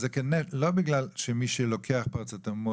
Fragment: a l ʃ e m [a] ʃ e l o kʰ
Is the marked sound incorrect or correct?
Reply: incorrect